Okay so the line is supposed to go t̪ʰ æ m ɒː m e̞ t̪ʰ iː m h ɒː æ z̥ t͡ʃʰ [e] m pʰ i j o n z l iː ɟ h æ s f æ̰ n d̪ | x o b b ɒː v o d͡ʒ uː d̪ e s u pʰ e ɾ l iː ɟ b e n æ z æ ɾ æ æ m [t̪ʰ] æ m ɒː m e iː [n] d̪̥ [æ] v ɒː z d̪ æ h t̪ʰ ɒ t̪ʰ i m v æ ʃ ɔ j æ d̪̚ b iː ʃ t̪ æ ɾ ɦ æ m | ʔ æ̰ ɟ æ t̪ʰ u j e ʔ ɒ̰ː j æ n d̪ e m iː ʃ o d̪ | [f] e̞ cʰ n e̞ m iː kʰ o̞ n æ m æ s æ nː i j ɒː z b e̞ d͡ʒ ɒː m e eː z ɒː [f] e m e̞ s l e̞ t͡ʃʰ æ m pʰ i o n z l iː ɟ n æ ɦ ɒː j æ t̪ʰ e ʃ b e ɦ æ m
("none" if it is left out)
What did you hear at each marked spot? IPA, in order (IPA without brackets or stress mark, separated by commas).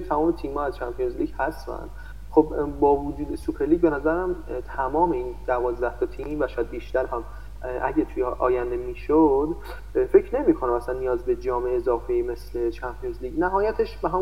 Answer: æ, t̪ʰ, n, æ, f, f